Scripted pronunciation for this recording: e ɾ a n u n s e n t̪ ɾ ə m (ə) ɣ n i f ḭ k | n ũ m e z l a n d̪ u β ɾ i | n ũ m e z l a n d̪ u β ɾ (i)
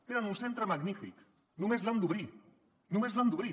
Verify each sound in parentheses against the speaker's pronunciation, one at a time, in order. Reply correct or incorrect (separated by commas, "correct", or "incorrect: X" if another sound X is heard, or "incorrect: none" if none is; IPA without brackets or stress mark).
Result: incorrect: a, correct